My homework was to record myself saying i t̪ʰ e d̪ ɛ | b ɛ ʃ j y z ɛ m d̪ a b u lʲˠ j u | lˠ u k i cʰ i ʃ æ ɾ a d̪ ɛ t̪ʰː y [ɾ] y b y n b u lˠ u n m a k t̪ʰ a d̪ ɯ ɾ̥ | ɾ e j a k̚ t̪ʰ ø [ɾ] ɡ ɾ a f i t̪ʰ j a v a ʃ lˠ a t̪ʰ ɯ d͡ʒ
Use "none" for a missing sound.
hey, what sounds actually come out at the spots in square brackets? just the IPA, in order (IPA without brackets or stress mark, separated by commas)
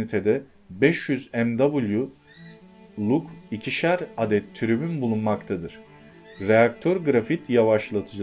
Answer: ɾ, ɾ